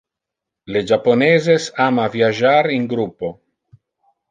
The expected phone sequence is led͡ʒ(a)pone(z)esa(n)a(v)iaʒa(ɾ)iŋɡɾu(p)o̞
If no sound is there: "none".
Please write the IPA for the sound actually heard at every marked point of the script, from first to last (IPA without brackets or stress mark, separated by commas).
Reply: a, z, m, v, ɾ, p